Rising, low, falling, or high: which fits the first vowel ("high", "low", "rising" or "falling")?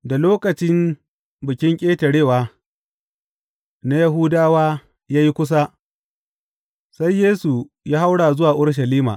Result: low